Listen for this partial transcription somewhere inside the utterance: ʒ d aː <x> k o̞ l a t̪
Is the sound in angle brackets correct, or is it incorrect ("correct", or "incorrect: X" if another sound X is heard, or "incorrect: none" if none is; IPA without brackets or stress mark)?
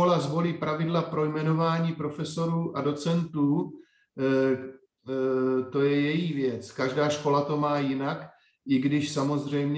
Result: incorrect: ʃ